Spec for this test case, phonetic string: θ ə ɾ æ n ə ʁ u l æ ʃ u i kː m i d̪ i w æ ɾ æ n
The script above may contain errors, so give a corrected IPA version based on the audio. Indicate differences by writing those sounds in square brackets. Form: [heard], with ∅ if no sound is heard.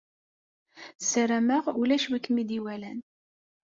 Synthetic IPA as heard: [s] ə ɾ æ [m] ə ʁ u l æ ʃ [w] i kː m i d̪ i w æ [l] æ n